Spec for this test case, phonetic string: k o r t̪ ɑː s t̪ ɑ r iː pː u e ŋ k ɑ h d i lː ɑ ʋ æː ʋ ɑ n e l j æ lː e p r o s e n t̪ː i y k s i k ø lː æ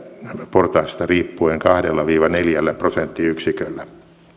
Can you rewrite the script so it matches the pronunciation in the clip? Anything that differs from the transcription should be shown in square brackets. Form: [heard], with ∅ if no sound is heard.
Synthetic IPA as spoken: [p] o r t̪ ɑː s t̪ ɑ r iː pː u e ŋ k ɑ h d [e] lː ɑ ʋ [iː] ʋ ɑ n e l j æ lː [æ] p r o s e n t̪ː i y k s i k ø lː æ